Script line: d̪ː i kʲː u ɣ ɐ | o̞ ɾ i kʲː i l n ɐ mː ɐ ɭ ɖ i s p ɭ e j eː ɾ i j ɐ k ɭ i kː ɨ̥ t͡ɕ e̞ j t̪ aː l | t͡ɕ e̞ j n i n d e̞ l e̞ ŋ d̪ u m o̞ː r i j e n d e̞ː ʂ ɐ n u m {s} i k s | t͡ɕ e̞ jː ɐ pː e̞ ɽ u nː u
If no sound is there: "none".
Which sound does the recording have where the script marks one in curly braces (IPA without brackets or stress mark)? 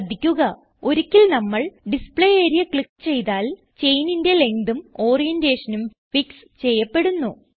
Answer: f